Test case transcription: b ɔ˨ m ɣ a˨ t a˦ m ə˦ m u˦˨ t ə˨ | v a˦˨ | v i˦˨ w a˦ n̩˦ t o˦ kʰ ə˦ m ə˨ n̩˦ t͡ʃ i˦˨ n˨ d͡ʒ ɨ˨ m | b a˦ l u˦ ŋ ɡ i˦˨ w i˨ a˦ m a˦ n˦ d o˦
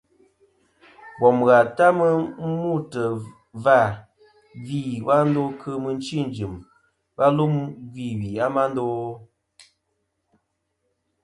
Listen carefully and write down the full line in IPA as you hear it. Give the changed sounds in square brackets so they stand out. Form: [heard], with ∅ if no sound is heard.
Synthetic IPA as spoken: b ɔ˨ m ɣ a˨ t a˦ m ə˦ m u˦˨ t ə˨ | v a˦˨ | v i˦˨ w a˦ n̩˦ [d] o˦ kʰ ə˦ m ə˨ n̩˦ t͡ʃ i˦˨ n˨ d͡ʒ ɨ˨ m | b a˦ l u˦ [m] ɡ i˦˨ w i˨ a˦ m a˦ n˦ d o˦

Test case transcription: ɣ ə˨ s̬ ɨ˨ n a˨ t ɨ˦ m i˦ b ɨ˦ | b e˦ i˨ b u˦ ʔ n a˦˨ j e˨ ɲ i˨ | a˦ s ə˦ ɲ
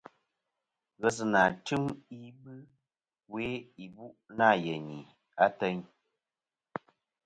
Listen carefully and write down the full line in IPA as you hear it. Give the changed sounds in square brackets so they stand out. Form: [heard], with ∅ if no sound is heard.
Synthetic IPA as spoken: ɣ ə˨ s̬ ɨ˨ n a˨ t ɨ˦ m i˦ b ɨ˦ | [w] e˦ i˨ b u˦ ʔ n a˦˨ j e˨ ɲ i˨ | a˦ [t] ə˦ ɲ

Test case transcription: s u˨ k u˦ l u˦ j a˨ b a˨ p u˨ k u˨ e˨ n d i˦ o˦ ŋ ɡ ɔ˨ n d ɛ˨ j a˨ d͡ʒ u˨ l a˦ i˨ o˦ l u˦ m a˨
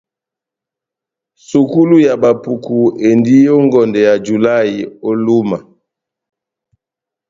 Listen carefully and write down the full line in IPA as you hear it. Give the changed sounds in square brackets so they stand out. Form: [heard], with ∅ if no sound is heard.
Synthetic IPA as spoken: s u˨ k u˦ l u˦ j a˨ b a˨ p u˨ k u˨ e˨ n d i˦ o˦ ŋ ɡ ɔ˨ n d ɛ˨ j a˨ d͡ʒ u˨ l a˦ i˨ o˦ l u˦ m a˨

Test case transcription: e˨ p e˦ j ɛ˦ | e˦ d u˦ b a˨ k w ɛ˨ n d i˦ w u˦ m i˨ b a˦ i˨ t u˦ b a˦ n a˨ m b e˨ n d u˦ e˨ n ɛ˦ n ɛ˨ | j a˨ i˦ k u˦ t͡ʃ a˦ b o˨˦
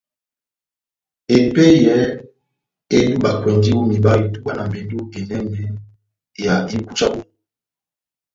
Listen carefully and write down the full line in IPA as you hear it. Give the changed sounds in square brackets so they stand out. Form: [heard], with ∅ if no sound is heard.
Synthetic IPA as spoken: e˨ p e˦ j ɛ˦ | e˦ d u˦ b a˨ k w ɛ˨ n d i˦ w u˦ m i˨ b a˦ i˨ t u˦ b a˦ n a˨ m b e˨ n d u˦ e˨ n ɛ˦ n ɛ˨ | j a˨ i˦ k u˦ t͡ʃ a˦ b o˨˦

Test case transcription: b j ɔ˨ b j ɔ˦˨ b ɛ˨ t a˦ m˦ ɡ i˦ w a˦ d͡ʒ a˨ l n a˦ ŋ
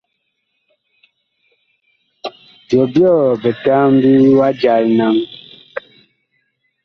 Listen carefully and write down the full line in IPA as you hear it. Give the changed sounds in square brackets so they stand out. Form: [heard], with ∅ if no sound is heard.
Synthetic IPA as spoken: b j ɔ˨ b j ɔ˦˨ b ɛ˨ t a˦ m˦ [b] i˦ w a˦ d͡ʒ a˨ l n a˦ ŋ

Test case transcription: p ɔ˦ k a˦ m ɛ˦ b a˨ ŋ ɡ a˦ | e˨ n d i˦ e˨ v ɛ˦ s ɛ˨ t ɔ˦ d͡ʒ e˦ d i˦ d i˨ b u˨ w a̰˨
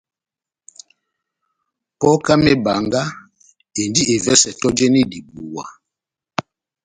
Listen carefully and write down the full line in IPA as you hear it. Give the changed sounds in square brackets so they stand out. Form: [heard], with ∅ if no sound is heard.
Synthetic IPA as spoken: p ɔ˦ k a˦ m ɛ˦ b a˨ ŋ ɡ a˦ | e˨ n d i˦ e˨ v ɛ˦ s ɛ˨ t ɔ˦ d͡ʒ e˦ [n] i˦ d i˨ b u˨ w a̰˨

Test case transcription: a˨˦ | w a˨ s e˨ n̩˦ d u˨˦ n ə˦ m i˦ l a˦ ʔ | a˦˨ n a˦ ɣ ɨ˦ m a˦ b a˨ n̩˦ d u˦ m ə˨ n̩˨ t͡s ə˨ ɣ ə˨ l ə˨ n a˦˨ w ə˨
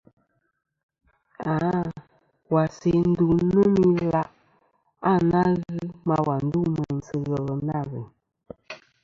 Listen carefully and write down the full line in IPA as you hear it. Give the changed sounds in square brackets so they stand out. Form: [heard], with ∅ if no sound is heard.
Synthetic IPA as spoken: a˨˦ | w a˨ s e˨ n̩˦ d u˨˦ n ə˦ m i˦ l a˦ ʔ | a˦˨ n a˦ ɣ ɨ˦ m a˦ [w] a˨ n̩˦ d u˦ m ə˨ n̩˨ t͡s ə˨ ɣ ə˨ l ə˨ n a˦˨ [ɣ] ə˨

